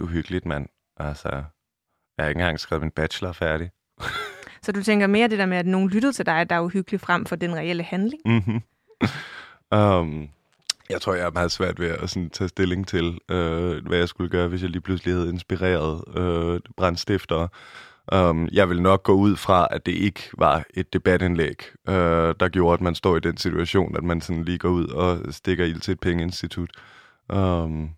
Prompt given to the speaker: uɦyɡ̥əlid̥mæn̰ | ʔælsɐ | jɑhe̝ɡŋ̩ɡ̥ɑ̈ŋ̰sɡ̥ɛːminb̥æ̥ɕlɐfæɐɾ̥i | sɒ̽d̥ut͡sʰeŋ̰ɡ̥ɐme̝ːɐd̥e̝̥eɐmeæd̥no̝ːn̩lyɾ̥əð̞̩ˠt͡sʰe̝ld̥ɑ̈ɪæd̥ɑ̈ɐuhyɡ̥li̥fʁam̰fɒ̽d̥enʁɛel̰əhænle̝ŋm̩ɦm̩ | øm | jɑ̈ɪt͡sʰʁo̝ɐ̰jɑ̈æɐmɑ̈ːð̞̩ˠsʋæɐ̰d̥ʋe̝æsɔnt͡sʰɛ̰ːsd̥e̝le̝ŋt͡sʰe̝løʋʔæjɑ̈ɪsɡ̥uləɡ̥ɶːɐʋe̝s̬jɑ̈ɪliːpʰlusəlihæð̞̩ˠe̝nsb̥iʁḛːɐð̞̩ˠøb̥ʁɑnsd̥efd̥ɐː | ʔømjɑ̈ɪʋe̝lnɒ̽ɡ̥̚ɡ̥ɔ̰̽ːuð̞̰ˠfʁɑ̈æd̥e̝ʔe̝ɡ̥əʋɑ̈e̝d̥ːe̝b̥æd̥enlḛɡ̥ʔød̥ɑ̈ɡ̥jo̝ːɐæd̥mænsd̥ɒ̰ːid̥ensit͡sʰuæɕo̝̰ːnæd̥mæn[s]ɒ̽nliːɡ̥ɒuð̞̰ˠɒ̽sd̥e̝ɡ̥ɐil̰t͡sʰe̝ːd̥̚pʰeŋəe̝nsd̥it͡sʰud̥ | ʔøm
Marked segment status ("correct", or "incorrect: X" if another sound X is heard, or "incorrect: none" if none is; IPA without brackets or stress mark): correct